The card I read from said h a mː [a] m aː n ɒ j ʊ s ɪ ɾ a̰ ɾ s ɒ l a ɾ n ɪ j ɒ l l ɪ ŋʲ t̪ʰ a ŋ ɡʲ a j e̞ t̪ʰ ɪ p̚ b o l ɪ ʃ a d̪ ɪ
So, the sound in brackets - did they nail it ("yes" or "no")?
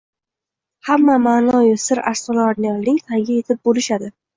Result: yes